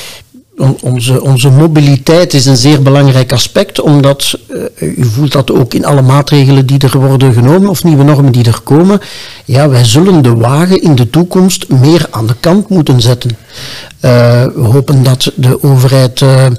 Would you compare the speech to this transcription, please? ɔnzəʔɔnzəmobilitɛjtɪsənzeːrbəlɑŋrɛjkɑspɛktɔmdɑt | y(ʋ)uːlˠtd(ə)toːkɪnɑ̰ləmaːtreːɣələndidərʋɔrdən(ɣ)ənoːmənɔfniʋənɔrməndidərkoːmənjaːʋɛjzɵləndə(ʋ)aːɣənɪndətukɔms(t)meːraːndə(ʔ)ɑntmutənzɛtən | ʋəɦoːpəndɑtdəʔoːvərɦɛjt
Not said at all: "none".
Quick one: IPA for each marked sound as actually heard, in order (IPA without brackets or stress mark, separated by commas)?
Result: v, ɑ, ɣ, ʋ, t, k